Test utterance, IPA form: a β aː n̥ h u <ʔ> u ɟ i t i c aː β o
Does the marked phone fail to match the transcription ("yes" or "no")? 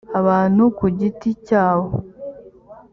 yes